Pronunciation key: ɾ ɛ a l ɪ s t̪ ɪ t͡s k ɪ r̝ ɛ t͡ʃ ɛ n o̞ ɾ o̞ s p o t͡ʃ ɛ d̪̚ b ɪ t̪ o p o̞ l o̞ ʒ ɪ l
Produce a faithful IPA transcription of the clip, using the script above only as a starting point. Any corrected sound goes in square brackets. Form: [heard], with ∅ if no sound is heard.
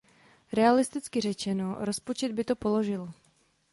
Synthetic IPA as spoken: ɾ ɛ a l ɪ s t̪ ɪ t͡s k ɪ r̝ ɛ t͡ʃ ɛ n o̞ ɾ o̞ s p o t͡ʃ ɛ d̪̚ b ɪ t̪ o p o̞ l o̞ ʒ ɪ l